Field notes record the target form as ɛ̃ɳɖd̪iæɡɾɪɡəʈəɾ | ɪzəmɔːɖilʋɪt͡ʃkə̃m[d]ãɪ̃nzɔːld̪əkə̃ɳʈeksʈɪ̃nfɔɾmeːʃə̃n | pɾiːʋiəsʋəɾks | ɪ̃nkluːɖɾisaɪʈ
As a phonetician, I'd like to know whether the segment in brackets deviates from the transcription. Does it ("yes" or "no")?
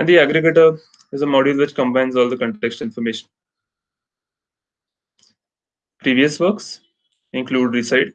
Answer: yes